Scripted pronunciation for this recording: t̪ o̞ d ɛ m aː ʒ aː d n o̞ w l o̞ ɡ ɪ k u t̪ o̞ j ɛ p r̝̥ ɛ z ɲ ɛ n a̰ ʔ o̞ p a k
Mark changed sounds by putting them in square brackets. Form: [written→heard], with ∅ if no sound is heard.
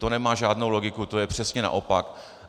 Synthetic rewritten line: t̪ o̞ [d→n] ɛ m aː ʒ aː d n o̞ w l o̞ ɡ ɪ k u t̪ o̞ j ɛ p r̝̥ ɛ [z→s] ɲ ɛ n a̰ ʔ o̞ p a k